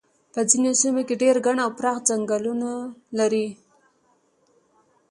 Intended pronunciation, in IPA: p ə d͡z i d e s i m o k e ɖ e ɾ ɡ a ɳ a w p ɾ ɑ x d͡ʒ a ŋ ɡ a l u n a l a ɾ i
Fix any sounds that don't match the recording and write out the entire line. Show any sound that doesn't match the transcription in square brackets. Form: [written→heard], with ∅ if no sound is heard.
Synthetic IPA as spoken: p ə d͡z i [d→n] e s i m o k e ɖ e ɾ ɡ a ɳ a w p ɾ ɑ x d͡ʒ a ŋ ɡ a l u n a l a ɾ i

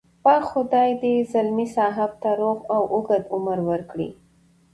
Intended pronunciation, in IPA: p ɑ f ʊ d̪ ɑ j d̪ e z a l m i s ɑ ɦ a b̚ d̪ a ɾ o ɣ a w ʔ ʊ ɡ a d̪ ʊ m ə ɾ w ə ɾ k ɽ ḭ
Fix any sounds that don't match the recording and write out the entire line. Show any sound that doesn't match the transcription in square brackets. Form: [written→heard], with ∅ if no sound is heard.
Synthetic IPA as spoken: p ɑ [f→x] ʊ d̪ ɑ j d̪ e z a l m i s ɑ ɦ a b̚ [d̪→t̪] a ɾ o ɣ a w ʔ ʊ ɡ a d̪ ʊ m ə ɾ w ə ɾ k ɽ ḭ

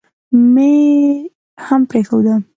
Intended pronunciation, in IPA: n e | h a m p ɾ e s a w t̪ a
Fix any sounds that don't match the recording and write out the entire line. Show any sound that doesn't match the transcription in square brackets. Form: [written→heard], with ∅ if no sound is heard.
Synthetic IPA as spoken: [n→m] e | h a m p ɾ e [s→x] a w [t̪→d̪] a

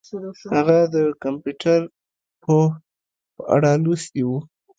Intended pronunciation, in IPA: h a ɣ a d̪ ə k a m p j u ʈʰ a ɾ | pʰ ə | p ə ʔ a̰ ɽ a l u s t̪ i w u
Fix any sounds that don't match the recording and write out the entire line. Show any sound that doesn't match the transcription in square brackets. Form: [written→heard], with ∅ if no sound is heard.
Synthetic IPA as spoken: h a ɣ a d̪ ə k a m p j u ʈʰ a ɾ | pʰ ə | p ə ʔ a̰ ɽ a l u s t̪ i w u

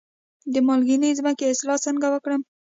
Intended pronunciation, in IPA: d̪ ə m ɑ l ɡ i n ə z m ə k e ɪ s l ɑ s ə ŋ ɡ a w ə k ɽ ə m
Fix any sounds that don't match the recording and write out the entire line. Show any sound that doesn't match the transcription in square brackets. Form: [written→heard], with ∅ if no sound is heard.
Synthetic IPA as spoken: d̪ ə m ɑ l ɡ i n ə z m ə k e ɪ s l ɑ s ə ŋ ɡ a w ə k ɽ ə m

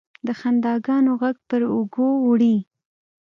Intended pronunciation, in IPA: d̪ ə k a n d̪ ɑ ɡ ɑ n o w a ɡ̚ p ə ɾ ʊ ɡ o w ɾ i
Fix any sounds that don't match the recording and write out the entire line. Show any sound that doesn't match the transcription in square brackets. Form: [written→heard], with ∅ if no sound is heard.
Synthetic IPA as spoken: d̪ ə [k→x] a n d̪ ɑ ɡ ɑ n o [w→ɣ] a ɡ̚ p ə ɾ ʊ ɡ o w [ɾ→ɽ] i

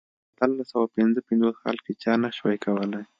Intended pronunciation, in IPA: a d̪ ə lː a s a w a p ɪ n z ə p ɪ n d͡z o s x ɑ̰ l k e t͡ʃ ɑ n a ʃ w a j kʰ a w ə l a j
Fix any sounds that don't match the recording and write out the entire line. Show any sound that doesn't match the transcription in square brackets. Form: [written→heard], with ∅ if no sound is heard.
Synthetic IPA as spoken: a [d̪→t̪] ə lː a s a w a p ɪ n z ə p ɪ n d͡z o s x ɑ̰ l k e t͡ʃ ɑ n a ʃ w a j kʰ a w ə l a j

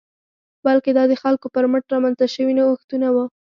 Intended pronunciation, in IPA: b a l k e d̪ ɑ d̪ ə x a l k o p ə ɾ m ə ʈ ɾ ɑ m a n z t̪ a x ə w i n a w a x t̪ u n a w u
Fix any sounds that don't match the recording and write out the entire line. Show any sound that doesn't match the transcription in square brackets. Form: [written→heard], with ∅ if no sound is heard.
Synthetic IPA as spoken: b a l k e d̪ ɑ d̪ ə x a l k o p ə ɾ m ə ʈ ɾ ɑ m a n z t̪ a [x→ʃ] ə w i n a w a x t̪ u n a w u

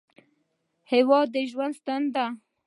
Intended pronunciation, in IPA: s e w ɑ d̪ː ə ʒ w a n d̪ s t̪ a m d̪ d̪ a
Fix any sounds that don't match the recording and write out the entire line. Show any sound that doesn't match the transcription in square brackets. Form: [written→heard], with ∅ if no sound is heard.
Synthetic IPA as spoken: [s→h] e w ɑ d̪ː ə ʒ w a n d̪ s t̪ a [m→n] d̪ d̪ a

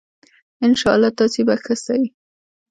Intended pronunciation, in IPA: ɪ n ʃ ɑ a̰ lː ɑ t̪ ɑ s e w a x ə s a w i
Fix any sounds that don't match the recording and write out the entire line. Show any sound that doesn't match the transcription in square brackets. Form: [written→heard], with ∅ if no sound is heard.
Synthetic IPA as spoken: ɪ n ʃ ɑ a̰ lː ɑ t̪ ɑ s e [w→b] a x ə s a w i

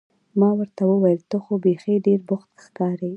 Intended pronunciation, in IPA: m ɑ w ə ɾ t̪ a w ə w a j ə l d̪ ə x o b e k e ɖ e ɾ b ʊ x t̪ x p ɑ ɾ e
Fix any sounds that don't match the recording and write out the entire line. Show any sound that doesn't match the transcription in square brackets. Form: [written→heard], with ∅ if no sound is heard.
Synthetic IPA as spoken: m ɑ w ə ɾ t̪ a w ə w a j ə l [d̪→t̪] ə x o b e [k→x] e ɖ e ɾ b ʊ x t̪ x [p→k] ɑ ɾ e

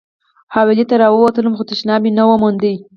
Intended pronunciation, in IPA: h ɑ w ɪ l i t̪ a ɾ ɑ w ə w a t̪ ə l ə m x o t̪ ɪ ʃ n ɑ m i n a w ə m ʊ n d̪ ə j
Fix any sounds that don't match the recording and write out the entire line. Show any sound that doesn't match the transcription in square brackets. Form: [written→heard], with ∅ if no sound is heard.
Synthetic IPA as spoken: h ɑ w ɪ l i t̪ a ɾ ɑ w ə w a t̪ ə l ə m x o t̪ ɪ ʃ n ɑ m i n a w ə m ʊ n d̪ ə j

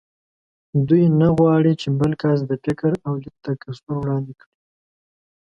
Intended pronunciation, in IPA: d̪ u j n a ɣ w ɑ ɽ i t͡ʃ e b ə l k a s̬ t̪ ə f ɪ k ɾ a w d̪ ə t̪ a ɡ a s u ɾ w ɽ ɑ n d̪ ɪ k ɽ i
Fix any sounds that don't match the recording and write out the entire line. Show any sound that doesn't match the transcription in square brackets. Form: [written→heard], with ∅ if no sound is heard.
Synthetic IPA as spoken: d̪ u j n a ɣ w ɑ ɽ i t͡ʃ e b ə l k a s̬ [t̪→d̪] ə f ɪ k ɾ a w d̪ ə t̪ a [ɡ→k] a s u ɾ w ɽ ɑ n d̪ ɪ k ɽ i

